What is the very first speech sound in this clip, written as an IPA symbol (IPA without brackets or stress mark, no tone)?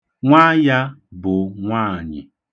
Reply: ŋʷ